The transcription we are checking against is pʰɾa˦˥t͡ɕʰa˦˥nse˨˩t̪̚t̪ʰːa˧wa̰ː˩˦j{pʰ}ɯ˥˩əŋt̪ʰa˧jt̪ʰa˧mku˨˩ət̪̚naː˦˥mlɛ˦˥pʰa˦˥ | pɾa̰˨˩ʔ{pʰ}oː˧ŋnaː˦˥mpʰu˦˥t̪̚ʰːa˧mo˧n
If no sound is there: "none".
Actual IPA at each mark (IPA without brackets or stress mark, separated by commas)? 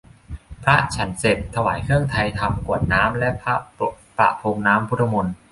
kʰ, pʰ